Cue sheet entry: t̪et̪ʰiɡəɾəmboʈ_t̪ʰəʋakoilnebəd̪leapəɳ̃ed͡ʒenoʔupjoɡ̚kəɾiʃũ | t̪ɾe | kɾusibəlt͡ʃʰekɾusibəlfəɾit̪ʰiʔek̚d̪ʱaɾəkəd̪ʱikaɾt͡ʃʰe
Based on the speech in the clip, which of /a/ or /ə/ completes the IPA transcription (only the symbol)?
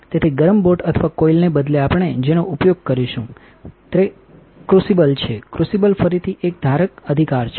ə